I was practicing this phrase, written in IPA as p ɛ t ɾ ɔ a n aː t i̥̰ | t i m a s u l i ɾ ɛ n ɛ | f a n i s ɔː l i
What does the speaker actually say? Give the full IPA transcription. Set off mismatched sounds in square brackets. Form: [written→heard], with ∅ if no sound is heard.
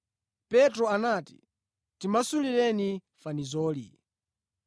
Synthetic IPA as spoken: p ɛ t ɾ ɔ a n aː t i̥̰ | t i m a s u l i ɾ ɛ n [ɛ→i] | f a n i [s→z] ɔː l i